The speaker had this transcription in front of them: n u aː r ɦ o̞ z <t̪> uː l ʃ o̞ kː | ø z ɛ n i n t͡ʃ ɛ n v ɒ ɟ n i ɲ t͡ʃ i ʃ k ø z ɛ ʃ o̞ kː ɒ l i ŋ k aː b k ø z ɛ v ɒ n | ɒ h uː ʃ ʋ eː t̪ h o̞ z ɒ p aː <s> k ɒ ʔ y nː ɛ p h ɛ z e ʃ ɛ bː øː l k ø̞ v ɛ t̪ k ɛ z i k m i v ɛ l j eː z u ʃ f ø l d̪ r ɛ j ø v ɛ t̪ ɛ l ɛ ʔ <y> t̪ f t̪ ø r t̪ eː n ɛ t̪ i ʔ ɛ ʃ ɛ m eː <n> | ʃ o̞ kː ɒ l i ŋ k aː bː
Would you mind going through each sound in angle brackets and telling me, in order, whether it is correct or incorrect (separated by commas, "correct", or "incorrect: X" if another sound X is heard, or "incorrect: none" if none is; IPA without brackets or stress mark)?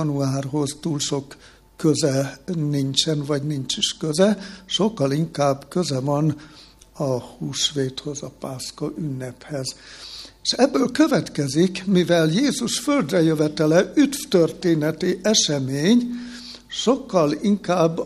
correct, correct, correct, incorrect: ɲ